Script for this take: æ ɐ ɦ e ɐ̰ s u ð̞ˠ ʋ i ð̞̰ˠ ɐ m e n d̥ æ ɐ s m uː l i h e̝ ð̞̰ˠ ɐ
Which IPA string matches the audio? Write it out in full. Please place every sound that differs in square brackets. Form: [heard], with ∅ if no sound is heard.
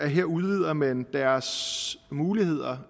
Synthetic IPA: æ ɐ ɦ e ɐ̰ [∅] u ð̞ˠ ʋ i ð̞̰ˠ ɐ m e n d̥ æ ɐ s m uː l i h e̝ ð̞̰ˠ ɐ